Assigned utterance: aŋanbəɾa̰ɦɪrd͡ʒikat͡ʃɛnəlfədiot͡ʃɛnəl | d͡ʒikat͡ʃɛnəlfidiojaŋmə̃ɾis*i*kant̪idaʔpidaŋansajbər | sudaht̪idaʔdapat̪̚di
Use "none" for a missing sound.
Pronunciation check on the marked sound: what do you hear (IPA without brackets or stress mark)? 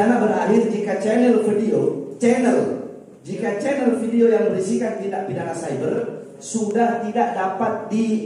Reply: i